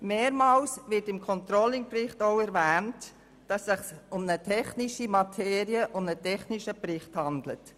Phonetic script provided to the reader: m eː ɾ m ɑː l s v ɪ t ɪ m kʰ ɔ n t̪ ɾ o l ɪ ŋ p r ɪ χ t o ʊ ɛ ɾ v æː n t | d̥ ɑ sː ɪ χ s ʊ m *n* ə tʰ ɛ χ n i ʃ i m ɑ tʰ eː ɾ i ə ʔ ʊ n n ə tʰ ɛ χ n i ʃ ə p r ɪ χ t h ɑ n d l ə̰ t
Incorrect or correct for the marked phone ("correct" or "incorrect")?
correct